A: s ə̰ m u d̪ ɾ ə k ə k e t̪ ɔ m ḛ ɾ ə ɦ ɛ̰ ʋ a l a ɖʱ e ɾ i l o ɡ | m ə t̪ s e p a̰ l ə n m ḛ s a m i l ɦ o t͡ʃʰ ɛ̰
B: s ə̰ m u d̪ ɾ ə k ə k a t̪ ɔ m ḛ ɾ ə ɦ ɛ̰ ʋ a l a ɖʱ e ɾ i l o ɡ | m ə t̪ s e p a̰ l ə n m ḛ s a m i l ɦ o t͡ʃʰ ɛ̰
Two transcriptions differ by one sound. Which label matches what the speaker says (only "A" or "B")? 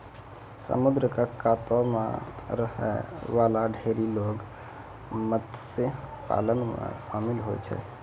B